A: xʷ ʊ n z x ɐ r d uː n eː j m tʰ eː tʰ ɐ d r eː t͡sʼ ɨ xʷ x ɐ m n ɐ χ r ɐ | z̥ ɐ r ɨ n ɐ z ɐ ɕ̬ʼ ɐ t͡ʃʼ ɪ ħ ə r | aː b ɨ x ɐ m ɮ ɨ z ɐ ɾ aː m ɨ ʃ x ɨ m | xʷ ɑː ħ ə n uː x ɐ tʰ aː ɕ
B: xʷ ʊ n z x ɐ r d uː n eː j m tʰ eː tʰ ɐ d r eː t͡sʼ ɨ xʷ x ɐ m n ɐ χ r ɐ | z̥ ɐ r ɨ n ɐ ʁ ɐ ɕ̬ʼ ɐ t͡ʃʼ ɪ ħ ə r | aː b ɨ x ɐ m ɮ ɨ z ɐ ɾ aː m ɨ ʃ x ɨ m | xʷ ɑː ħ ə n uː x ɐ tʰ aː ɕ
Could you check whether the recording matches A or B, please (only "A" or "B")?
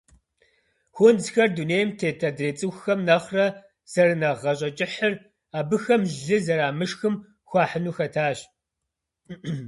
B